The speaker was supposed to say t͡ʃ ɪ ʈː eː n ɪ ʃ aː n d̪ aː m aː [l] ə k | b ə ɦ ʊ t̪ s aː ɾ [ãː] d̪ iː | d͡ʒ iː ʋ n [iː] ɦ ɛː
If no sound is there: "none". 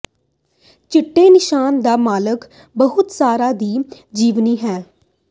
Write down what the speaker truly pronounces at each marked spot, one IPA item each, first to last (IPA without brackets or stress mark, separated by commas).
l, aː, iː